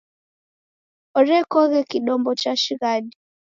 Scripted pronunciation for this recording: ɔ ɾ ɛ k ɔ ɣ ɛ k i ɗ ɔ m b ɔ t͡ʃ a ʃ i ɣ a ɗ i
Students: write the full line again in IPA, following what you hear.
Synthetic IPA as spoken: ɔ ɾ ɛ k ɔ ɣ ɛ k i ɗ ɔ m b ɔ t͡ʃ a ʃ i ɣ a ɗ i

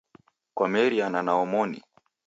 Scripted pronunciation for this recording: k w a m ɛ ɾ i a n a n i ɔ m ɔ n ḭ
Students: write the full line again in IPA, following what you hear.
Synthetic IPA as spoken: k w a m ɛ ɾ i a n a n a ɔ m ɔ n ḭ

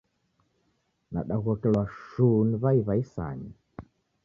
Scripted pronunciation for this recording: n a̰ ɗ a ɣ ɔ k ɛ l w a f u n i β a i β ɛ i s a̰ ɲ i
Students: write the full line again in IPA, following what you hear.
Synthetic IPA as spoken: n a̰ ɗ a ɣ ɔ k ɛ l w a ʃ u n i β a i β a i s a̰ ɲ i

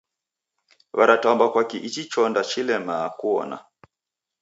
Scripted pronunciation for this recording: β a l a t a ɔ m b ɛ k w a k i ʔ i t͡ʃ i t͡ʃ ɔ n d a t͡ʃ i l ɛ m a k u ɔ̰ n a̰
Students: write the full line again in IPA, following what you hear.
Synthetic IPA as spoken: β a ɾ a t a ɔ m b a k w a k i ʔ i t͡ʃ i t͡ʃ ɔ n d a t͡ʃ i l ɛ m a k u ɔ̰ n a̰

